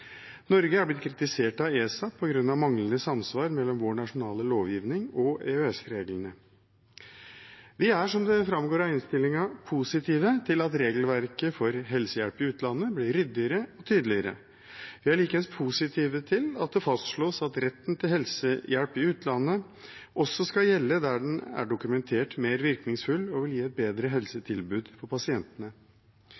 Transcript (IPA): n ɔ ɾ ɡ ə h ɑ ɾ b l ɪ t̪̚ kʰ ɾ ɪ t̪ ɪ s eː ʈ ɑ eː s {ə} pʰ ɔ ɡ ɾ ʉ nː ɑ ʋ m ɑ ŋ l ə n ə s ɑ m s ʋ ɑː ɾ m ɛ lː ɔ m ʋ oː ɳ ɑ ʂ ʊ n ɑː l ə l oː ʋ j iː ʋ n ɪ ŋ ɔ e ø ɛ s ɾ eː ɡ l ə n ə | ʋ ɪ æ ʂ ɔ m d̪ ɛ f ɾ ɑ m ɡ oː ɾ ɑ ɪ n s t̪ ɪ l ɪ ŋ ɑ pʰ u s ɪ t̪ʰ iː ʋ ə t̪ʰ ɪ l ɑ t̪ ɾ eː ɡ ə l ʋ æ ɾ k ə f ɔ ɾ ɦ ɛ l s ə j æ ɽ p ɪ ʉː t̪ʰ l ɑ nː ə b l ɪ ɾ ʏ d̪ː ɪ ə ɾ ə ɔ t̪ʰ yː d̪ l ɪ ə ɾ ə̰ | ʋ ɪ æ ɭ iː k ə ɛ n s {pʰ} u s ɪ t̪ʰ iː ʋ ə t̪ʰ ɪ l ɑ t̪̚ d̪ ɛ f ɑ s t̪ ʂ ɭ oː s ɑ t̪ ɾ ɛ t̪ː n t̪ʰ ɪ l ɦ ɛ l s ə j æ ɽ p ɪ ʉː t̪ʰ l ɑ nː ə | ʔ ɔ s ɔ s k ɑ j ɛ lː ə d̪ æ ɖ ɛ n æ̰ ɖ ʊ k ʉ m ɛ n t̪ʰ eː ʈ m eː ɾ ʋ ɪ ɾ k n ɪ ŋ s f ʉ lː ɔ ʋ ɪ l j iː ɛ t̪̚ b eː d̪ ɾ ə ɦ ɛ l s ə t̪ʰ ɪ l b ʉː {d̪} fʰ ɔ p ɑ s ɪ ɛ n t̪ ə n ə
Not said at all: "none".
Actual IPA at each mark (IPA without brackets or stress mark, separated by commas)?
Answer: ɑ, pʰ, d̪